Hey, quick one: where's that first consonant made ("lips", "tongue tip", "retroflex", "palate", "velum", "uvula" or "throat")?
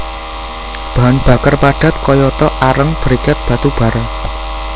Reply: lips